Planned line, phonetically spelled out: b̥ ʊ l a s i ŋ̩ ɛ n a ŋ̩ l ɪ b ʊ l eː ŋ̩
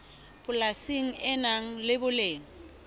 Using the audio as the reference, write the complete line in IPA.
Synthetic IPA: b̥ ʊ l a s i ŋ̩ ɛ n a ŋ̩ l ɪ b ʊ l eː ŋ̩